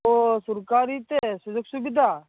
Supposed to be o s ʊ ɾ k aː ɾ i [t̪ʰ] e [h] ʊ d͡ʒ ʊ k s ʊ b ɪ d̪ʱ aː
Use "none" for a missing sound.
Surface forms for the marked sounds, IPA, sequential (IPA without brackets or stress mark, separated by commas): t̪, s